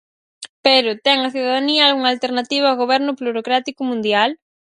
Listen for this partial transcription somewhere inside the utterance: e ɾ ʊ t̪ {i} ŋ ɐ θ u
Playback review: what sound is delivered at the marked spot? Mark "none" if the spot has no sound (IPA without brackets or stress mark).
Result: ɛ